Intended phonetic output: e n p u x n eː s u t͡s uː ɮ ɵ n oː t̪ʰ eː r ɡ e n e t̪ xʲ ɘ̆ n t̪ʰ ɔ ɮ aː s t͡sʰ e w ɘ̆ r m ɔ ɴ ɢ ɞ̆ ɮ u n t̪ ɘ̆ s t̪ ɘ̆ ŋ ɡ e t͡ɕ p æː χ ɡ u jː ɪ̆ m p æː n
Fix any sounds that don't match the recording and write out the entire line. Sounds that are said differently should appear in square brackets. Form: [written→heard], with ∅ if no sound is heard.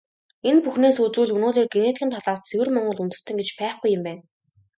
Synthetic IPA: e n p u x n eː s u t͡s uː ɮ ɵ n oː [t̪ʰ→t̪] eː r ɡ e n e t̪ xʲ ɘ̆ n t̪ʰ ɔ ɮ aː s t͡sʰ e w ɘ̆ r m ɔ ɴ ɢ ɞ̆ ɮ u n t̪ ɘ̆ s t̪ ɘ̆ ŋ ɡ e t͡ɕ p æː χ ɡ u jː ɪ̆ m p æː n